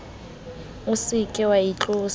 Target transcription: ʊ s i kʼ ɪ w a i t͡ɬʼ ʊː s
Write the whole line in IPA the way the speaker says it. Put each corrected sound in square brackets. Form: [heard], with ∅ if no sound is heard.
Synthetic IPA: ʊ s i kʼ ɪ w a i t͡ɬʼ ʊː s